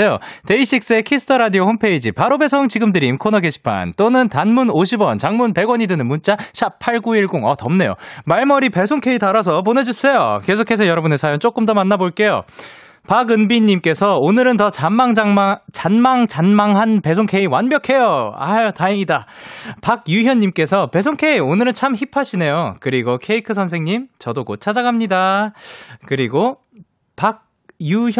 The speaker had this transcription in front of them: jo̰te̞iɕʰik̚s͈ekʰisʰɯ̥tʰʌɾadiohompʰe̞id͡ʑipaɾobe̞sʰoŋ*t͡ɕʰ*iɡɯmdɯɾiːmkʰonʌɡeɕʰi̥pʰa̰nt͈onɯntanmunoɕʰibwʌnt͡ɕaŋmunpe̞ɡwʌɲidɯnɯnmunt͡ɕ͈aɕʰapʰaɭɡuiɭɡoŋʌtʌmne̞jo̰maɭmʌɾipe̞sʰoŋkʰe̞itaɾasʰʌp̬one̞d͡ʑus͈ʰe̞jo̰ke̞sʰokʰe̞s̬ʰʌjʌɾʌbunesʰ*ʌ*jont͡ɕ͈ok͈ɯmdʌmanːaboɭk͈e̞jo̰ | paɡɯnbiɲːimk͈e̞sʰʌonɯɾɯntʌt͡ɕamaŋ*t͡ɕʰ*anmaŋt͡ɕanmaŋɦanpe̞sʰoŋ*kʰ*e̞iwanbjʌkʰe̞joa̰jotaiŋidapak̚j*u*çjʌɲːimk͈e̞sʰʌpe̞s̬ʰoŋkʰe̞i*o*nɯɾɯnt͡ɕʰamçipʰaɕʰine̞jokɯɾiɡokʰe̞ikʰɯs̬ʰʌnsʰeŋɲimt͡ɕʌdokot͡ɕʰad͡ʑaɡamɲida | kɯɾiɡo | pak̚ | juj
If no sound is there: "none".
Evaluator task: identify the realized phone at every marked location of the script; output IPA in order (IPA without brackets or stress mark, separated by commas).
t͡ɕ, a, t͡ɕ, kʰ, u, o